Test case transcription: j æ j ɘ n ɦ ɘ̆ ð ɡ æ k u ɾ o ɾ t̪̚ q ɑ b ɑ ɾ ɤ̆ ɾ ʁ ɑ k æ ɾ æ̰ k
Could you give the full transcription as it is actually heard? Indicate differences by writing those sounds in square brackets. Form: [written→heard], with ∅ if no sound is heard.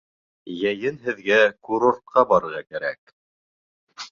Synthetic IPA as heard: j æ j ɘ n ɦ ɘ̆ ð ɡ æ k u ɾ o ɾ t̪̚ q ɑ b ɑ ɾ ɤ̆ ɾ ʁ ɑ k æ ɾ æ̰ k